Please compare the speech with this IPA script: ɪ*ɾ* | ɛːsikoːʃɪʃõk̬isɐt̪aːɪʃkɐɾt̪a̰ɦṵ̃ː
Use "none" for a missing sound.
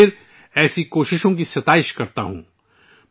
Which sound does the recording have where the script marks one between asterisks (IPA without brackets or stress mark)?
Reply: ɾ